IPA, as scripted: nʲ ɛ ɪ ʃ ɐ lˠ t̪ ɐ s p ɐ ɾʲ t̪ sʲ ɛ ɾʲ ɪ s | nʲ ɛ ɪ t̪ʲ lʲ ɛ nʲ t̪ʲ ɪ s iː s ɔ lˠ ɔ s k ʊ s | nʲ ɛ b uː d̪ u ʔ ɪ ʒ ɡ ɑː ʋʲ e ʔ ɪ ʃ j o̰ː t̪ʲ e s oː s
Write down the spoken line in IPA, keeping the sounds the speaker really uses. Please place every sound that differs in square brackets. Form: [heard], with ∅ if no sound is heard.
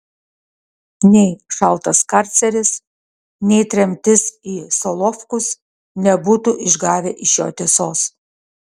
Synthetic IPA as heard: nʲ ɛ ɪ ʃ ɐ lˠ t̪ ɐ s [k] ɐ ɾʲ t̪ sʲ ɛ ɾʲ ɪ s | nʲ ɛ ɪ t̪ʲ [ɾʲ] ɛ [mʲ] t̪ʲ ɪ s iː s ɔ lˠ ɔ [f] k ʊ s | nʲ ɛ b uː [t̪] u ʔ ɪ ʒ ɡ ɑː ʋʲ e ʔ ɪ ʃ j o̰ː t̪ʲ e s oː s